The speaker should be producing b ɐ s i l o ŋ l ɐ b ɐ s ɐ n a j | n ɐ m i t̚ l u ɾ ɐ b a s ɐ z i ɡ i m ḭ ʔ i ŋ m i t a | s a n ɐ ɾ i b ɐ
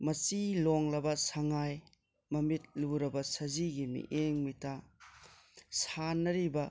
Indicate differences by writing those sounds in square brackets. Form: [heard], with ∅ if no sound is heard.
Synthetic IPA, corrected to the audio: [m] ɐ s i l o ŋ l ɐ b ɐ s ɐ [ŋ] a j | [m] ɐ m i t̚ l u ɾ ɐ b [ɐ] s ɐ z i ɡ i m ḭ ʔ [e] ŋ m i t a | s a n ɐ ɾ i b ɐ

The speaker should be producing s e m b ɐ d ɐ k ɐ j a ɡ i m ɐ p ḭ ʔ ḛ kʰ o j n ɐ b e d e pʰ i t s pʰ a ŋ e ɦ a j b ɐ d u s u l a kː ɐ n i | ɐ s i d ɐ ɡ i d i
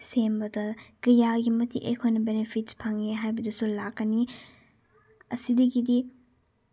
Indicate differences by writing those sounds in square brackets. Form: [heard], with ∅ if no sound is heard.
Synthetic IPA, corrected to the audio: s e m b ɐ d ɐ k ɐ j a ɡ i m ɐ [t] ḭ ʔ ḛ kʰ o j n ɐ b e [n] e pʰ i t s pʰ a ŋ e ɦ a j b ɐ d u s u l a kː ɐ n i | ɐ s i d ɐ ɡ i d i

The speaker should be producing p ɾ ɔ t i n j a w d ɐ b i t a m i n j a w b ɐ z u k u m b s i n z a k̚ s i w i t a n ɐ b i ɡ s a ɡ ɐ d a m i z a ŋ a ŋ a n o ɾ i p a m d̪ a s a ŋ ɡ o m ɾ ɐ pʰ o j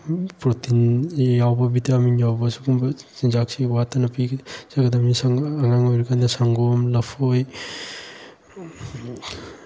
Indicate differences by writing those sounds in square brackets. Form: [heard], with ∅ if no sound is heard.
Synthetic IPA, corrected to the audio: p ɾ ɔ t i n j a w [b] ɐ b i t a m i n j a w b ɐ [s] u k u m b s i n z a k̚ s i w [a] t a n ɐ [p] i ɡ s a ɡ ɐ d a m i [s] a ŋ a ŋ a [ŋ] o ɾ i [k] a [n] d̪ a s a ŋ ɡ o m [l] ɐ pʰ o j

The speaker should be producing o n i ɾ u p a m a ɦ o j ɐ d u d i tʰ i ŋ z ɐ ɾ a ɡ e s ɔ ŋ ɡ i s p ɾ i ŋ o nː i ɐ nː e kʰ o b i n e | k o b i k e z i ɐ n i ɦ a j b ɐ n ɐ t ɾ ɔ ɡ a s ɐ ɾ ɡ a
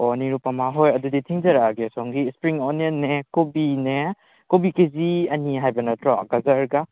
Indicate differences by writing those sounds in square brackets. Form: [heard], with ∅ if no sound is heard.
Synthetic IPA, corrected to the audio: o n i ɾ u p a m a ɦ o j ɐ d u d i tʰ i ŋ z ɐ ɾ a ɡ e s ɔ ŋ ɡ i s p ɾ i ŋ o [n] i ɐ nː e [k] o b i n e | k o b i k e z i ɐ n i ɦ a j b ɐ n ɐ t ɾ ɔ ɡ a [z] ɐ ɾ ɡ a

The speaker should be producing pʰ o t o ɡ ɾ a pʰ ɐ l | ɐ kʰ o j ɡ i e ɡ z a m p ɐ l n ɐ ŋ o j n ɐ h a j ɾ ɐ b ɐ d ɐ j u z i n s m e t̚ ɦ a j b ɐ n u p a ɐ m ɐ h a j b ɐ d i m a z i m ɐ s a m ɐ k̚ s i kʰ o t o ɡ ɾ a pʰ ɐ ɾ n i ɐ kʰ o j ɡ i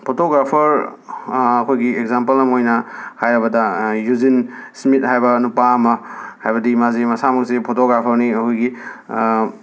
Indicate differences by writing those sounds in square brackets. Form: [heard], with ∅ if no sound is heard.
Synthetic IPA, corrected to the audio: pʰ o t o ɡ ɾ a pʰ ɐ [ɾ] | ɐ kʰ o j ɡ i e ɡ z a m p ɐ l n ɐ [m] o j n ɐ h a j ɾ ɐ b ɐ d ɐ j u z i n s m [i] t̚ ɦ a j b ɐ n u p a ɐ m ɐ h a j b ɐ d i m a z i m ɐ s a m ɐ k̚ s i [pʰ] o t o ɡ ɾ a pʰ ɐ ɾ n i ɐ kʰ o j ɡ i

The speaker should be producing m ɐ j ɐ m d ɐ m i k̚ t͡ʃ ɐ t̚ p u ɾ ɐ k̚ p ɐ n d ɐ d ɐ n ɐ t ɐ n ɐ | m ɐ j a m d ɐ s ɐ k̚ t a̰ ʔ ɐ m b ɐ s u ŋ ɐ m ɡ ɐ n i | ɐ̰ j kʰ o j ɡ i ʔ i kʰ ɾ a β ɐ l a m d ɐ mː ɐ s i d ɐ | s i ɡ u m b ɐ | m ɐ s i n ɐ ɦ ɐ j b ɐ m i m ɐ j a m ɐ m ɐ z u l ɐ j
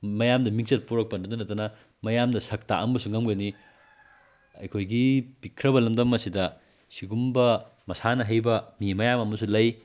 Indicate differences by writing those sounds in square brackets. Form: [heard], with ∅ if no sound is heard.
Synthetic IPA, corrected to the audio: m ɐ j [a] m d ɐ m i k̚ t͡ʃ ɐ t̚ p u ɾ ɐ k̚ p ɐ n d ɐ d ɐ n ɐ t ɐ n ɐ | m ɐ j a m d ɐ s ɐ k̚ t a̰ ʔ ɐ m b ɐ s u ŋ ɐ m ɡ ɐ n i | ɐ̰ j kʰ o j ɡ i [p] i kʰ ɾ [ɐ] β ɐ l [ɐ] m d ɐ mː ɐ s i d ɐ | s i ɡ u m b ɐ | m ɐ s [a] n ɐ ɦ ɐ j b ɐ m i m ɐ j a m ɐ m ɐ [s] u l ɐ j

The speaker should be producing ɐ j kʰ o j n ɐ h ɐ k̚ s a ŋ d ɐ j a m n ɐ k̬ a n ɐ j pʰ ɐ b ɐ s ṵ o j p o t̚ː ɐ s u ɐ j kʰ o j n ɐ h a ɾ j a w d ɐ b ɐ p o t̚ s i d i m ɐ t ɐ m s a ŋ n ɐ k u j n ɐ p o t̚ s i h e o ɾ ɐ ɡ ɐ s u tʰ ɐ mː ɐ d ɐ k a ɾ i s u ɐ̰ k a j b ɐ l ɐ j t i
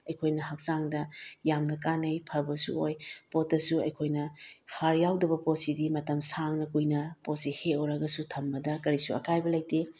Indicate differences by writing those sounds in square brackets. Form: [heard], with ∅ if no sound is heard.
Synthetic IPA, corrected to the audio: ɐ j kʰ o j n ɐ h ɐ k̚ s a ŋ d ɐ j a m n ɐ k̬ a n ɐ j pʰ ɐ b ɐ s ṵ o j p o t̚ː ɐ s u ɐ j kʰ o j n ɐ h a ɾ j a w d ɐ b ɐ p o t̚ s i d i m ɐ t ɐ m s a ŋ n ɐ k u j n ɐ p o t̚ s i h e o ɾ ɐ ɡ ɐ s u tʰ ɐ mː ɐ d ɐ k [ɐ] ɾ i s u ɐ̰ k a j b ɐ l ɐ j t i

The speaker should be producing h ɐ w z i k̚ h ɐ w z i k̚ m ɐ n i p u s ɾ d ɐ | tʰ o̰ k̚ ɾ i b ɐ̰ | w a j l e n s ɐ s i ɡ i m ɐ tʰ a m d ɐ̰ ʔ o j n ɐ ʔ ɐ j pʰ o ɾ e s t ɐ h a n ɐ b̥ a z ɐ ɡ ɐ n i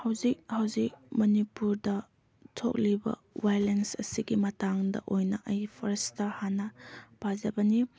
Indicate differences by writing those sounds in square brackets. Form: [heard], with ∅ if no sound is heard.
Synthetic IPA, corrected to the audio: h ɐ w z i k̚ h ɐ w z i k̚ m ɐ n i p u [∅] ɾ d ɐ | tʰ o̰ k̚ [l] i b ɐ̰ | w a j l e n s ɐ s i ɡ i m ɐ [t] a [ŋ] d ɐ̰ ʔ o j n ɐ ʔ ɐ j pʰ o ɾ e s t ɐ h a n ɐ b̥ a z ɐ [b] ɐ n i

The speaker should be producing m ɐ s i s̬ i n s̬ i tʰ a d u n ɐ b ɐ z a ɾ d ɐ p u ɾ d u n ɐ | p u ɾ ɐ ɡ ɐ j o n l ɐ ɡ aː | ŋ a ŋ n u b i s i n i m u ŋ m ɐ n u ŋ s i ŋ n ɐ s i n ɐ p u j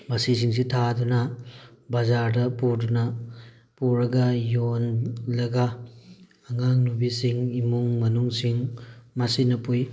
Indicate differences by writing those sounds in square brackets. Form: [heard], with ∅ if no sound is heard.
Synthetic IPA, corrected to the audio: m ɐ s i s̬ i [ŋ] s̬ i tʰ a d u n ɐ b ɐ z a ɾ d ɐ p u ɾ d u n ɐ | p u ɾ ɐ ɡ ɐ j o n l ɐ ɡ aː | ŋ a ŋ n u b i s i [ŋ] i m u ŋ m ɐ n u ŋ s i ŋ [m] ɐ s i n ɐ p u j

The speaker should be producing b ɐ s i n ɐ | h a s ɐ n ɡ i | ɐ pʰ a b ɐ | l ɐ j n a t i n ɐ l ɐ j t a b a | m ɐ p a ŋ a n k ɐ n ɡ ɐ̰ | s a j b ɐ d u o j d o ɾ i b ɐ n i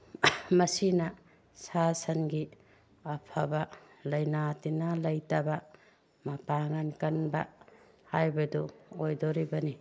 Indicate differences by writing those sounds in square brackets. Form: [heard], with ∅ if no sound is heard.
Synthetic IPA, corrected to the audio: [m] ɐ s i n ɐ | [s] a s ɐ n ɡ i | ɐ pʰ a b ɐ | l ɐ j n a t i n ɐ l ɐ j t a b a | m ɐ p a ŋ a n k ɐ n [b] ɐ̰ | [h] a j b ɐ d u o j d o ɾ i b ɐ n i

